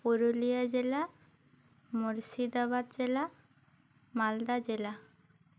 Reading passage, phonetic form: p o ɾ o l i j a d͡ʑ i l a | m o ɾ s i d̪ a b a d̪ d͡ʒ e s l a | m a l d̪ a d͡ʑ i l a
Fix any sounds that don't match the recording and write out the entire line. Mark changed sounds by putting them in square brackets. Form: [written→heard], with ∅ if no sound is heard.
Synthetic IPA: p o ɾ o l i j a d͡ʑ [i→e] l a | m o ɾ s i d̪ a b a d̪ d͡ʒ e [s→∅] l a | m a l d̪ a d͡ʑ [i→e] l a